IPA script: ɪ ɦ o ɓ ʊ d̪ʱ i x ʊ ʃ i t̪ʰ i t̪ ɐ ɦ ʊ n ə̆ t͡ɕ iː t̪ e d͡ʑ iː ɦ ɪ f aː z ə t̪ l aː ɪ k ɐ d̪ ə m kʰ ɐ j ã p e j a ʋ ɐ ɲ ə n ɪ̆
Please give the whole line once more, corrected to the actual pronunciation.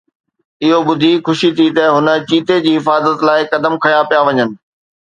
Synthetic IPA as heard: ɪ ɦ o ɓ ʊ d̪ʱ i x ʊ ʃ i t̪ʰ i t̪ ɐ ɦ ʊ n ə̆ t͡ɕ iː t̪ e d͡ʑ iː ɦ ɪ f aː z ə t̪ l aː ɪ k ɐ d̪ ə m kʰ ɐ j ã p i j a ʋ ɐ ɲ ə n ɪ̆